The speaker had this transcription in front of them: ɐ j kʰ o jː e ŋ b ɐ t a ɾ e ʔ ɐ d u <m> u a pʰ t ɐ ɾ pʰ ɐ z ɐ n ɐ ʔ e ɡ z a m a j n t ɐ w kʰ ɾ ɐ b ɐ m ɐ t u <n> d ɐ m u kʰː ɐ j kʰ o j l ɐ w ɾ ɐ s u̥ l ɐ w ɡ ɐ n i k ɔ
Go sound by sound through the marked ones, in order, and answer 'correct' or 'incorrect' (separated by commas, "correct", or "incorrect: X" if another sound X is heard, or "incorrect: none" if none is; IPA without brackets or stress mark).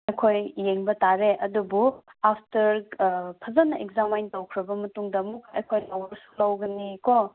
incorrect: b, incorrect: ŋ